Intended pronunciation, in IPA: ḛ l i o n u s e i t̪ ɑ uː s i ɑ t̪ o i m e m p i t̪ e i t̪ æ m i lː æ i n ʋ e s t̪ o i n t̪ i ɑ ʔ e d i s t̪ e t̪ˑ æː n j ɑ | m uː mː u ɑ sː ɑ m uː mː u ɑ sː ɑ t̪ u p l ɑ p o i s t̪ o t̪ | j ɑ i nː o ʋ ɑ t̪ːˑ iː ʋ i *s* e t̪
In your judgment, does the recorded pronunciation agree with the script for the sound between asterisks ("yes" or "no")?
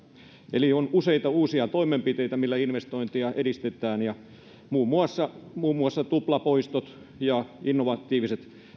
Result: yes